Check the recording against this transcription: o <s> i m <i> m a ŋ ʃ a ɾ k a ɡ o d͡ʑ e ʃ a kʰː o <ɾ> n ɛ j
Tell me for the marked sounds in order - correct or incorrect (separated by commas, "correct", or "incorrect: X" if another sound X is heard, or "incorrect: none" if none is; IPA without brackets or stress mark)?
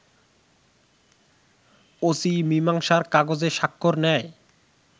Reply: correct, correct, correct